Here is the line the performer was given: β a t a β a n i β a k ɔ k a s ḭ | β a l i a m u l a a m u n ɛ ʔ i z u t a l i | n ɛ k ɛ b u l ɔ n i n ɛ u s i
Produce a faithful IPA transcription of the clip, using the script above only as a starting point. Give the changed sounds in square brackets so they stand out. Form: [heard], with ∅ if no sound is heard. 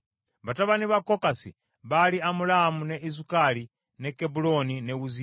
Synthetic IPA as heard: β a t a β a n i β a k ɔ k a s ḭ | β a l i a m u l a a m u n ɛ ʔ i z u [k] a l i | n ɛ k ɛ b u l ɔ n i n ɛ u [z] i